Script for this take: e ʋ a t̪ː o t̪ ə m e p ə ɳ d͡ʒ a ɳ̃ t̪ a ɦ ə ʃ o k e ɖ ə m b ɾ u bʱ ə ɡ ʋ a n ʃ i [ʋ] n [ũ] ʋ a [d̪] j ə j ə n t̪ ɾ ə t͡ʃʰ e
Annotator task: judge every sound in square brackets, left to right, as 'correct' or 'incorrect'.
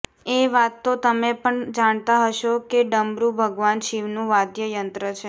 correct, correct, correct

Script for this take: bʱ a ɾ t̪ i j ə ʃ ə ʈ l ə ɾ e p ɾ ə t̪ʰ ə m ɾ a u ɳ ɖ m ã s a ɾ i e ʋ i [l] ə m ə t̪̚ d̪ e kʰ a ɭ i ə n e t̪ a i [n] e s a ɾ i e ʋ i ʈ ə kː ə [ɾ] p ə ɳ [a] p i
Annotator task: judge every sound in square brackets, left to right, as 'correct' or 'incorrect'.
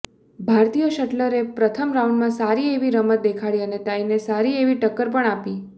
incorrect: ɾ, correct, correct, correct

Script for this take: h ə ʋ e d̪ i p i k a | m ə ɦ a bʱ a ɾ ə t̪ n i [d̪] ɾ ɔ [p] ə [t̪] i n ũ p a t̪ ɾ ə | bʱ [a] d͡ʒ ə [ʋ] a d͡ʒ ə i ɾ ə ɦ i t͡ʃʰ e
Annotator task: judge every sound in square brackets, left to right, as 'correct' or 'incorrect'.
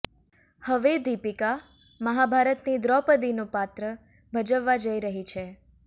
correct, correct, incorrect: d̪, incorrect: ə, incorrect: ʋː

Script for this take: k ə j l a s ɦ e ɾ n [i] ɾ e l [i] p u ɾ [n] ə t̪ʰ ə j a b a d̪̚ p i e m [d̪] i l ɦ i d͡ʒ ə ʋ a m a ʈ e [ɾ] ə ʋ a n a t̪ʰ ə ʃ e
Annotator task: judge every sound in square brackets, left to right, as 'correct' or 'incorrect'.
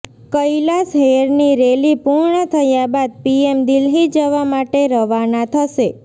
correct, correct, incorrect: ɳ, correct, correct

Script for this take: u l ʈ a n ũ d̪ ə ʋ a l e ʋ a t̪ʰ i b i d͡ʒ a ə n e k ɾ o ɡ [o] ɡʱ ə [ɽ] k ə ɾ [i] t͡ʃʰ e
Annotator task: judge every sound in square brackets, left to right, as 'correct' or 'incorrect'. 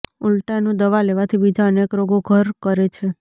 correct, incorrect: ɾ, incorrect: e

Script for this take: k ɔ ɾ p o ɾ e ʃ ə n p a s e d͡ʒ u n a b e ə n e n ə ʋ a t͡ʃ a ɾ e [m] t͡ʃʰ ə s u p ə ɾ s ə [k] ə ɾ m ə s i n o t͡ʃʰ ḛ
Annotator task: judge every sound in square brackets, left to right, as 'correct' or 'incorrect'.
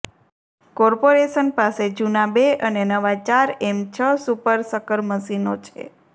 correct, correct

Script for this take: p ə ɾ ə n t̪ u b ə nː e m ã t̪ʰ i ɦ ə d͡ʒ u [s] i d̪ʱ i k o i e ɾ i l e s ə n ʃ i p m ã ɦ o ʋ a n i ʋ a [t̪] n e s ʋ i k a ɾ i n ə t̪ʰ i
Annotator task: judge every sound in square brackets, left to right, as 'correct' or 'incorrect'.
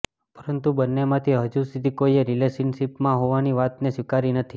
correct, correct

